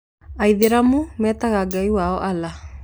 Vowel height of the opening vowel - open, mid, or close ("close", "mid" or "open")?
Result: open